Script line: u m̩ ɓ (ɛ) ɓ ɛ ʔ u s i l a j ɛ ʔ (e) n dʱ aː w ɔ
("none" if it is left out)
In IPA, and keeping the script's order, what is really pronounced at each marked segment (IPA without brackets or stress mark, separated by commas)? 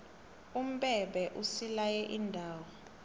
ɛ, i